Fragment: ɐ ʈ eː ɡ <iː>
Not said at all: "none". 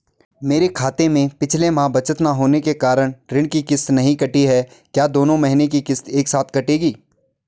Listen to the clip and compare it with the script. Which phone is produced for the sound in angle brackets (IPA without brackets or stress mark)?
iː